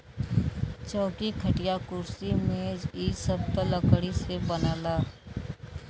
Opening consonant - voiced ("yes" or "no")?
no